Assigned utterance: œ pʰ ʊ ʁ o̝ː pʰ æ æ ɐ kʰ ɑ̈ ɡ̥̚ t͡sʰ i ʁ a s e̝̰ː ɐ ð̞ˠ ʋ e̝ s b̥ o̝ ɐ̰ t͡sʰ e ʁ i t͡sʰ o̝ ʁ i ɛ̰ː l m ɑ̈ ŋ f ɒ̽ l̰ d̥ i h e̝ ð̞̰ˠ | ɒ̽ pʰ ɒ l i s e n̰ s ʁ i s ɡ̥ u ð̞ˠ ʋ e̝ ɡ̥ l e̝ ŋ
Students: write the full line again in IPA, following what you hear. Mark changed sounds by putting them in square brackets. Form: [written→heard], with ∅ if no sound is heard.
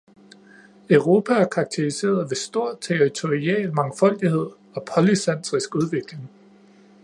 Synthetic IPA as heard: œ [pʰ→∅] ʊ ʁ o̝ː pʰ æ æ ɐ kʰ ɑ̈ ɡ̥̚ t͡sʰ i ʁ [a→i] s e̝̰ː ɐ ð̞ˠ ʋ e̝ s [b̥→d̥] o̝ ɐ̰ t͡sʰ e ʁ i t͡sʰ o̝ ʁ i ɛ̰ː l m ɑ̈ ŋ f ɒ̽ l̰ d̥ i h e̝ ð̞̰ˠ | ɒ̽ pʰ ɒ l i s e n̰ s ʁ i s ɡ̥ u ð̞ˠ ʋ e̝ ɡ̥ l e̝ ŋ